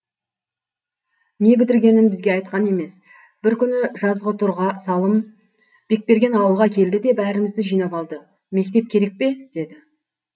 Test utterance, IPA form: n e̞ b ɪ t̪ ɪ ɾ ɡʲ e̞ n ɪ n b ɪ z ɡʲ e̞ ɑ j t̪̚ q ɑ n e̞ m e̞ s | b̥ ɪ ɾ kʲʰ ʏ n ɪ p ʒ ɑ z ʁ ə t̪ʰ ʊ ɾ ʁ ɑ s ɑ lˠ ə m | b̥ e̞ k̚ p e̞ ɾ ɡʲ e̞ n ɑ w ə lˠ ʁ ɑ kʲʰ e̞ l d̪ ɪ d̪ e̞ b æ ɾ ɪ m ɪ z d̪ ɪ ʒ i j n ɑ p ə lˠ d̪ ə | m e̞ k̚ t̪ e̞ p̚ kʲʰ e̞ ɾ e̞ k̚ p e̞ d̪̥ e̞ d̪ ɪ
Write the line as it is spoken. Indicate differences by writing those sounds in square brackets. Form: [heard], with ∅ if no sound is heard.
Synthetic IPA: n e̞ b ɪ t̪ ɪ ɾ ɡʲ e̞ n ɪ n b ɪ z ɡʲ e̞ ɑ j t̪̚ q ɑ n e̞ m e̞ s | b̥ ɪ ɾ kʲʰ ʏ n ɪ [∅] ʒ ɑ z ʁ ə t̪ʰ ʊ ɾ ʁ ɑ s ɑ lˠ ə m | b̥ e̞ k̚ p e̞ ɾ ɡʲ e̞ n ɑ w ə lˠ ʁ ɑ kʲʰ e̞ l d̪ ɪ d̪ e̞ b æ ɾ ɪ m ɪ z d̪ ɪ ʒ i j n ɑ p [ɑ] lˠ d̪ ə | m e̞ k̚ t̪ e̞ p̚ kʲʰ e̞ ɾ e̞ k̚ p e̞ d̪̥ e̞ d̪ ɪ